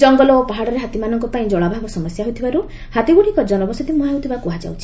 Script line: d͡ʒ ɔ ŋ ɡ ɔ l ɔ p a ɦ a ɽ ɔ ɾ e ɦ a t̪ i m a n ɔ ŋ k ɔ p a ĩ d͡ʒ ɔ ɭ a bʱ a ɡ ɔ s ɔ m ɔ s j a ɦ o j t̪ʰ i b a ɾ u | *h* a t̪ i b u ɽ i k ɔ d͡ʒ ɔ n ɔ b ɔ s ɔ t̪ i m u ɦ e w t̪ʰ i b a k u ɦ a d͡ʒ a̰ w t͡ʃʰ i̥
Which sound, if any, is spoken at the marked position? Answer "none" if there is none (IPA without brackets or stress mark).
h